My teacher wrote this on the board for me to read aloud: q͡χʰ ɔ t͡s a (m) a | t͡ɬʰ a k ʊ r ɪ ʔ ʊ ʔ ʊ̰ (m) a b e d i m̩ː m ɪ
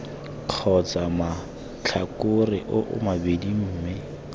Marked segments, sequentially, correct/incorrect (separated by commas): correct, correct